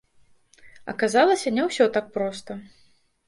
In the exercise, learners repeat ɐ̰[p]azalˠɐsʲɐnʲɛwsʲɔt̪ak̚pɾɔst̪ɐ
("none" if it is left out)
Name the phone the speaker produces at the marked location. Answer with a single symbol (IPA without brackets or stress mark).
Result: k